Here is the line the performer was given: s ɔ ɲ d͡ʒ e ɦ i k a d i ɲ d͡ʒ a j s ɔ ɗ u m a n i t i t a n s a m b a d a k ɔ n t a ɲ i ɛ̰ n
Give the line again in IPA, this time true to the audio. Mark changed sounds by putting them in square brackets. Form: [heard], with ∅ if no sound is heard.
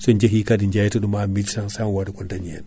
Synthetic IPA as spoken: s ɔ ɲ d͡ʒ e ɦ i k a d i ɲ d͡ʒ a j [t] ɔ ɗ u m a [m] i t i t a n s a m [w] a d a k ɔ n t a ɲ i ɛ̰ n